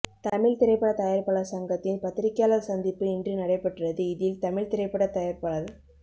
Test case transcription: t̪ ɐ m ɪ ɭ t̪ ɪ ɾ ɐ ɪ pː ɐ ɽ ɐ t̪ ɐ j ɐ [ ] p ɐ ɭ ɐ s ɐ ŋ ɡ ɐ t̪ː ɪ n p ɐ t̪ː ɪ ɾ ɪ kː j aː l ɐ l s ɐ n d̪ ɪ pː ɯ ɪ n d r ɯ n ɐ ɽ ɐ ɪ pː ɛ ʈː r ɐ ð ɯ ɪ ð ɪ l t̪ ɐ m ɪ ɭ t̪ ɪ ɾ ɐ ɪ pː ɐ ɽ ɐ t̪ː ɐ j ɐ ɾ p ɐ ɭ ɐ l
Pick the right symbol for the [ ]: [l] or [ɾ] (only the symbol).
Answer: ɾ